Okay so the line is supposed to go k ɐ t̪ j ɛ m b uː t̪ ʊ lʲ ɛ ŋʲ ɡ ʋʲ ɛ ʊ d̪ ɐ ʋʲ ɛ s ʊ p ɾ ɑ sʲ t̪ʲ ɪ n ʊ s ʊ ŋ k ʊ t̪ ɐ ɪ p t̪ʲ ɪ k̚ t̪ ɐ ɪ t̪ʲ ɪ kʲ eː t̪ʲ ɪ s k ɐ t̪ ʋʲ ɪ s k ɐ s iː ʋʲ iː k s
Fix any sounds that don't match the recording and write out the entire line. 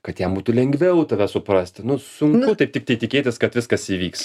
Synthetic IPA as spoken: k ɐ t̪ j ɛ m b uː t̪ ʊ lʲ ɛ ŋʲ ɡ ʋʲ ɛ ʊ t̪ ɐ ʋʲ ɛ s ʊ p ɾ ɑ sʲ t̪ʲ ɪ n ʊ s ʊ ŋ k ʊ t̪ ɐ ɪ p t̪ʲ ɪ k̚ t̪ ɐ ɪ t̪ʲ ɪ kʲ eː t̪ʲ ɪ s k ɐ t̪ ʋʲ ɪ s k ɐ s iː ʋʲ iː k s

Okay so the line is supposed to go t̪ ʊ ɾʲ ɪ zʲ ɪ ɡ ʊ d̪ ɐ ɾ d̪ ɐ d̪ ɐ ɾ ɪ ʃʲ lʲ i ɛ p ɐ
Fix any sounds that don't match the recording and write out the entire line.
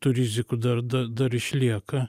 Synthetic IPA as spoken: t̪ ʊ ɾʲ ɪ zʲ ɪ k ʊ d̪ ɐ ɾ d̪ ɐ d̪ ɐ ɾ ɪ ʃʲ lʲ i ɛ k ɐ

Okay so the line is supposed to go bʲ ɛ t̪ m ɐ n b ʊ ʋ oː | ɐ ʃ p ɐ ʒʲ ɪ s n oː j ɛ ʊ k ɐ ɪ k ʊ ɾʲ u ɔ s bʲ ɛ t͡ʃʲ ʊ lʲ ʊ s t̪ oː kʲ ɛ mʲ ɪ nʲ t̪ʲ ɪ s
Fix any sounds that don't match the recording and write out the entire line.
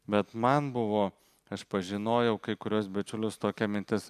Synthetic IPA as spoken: bʲ ɛ t̪ m ɐ n b ʊ ʋ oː | ɐ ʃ p ɐ ʒʲ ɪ n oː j ɛ ʊ k ɐ ɪ k ʊ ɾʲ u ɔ s bʲ ɛ t͡ʃʲ ʊ lʲ ʊ s t̪ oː kʲ ɛ mʲ ɪ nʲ t̪ʲ ɪ s

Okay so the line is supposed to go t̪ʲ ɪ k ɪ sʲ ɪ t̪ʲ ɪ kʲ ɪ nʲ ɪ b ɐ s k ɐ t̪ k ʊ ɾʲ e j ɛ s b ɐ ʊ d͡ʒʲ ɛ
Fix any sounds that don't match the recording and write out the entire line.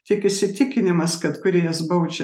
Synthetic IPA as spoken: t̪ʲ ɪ k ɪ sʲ ɪ t̪ʲ ɪ kʲ ɪ nʲ ɪ m ɐ s k ɐ t̪ k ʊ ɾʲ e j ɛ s b ɐ ʊ d͡ʒʲ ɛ

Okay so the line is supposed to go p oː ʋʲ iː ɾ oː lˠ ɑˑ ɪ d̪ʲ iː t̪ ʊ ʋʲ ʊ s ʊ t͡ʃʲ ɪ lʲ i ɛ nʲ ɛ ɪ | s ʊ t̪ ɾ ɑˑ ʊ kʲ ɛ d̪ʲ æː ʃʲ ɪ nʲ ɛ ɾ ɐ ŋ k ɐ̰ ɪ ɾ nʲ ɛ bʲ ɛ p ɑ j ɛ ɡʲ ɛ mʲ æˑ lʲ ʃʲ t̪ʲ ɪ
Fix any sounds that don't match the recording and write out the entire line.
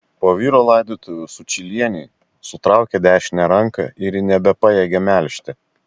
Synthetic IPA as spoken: p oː ʋʲ iː ɾ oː lˠ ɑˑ ɪ d̪ʲ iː t̪ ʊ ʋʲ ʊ s ʊ t͡ʃʲ ɪ lʲ i ɛ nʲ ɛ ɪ | s ʊ t̪ ɾ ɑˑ ʊ kʲ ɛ d̪ʲ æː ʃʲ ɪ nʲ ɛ ɾ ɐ ŋ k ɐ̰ ɪ ɾ nʲ ɛ bʲ ɛ p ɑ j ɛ ɡʲ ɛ mʲ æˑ lʲ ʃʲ t̪ʲ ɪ

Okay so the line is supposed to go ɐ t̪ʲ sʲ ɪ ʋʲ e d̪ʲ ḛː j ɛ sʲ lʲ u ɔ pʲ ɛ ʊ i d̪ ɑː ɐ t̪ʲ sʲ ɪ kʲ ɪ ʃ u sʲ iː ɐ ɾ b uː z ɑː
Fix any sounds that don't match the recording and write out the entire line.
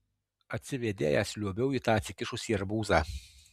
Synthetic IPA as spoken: ɐ t̪ʲ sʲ ɪ ʋʲ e d̪ʲ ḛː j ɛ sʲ lʲ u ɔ bʲ ɛ ʊ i t̪ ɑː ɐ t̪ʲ sʲ ɪ kʲ ɪ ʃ ʊ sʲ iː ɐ ɾ b uː z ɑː

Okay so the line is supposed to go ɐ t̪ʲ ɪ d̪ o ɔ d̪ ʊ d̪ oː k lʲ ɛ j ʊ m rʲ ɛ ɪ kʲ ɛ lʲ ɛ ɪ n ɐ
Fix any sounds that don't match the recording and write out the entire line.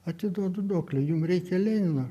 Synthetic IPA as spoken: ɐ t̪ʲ ɪ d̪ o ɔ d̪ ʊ d̪ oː k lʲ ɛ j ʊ m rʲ ɛ ɪ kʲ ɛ lʲ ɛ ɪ n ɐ

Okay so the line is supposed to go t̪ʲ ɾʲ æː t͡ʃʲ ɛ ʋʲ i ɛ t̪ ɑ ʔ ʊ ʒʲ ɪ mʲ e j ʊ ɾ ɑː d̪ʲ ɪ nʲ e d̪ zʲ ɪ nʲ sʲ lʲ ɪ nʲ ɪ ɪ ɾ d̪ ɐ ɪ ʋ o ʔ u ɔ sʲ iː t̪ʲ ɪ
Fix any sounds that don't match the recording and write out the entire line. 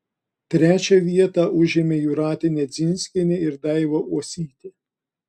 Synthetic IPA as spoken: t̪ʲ ɾʲ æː t͡ʃʲ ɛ ʋʲ i ɛ t̪ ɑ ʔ ʊ ʒʲ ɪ mʲ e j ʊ ɾ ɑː t̪ʲ ɪ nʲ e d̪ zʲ ɪ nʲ sʲ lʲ ɪ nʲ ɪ ɪ ɾ d̪ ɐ ɪ ʋ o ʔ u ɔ sʲ iː t̪ʲ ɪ

